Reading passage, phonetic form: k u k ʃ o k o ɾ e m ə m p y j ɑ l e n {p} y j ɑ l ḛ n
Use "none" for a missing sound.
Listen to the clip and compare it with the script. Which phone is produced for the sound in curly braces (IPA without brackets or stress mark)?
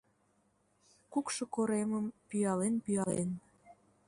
p